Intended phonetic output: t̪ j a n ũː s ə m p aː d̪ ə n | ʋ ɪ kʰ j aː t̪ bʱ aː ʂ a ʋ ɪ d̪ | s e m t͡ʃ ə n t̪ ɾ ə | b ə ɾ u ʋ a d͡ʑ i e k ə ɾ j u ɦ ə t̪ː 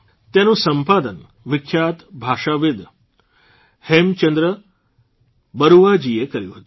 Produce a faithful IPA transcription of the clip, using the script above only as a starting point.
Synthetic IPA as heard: t̪ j a n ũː s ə m p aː d̪ ə n | ʋ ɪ kʰ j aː t̪ bʱ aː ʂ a ʋ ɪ d̪ | h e m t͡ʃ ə n d̪ ɾ ə | b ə ɾ u ʋ a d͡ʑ i e k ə ɾ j u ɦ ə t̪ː